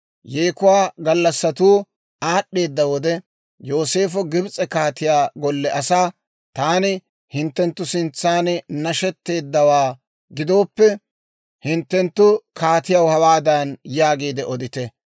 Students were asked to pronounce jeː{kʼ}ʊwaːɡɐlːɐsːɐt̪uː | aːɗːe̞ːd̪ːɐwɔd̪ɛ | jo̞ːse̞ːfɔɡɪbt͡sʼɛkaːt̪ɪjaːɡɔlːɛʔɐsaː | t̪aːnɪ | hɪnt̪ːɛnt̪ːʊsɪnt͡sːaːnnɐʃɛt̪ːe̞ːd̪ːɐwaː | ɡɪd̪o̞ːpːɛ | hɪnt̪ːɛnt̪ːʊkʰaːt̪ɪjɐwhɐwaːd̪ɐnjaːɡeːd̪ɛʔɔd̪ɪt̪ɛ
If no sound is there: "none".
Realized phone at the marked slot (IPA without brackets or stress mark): k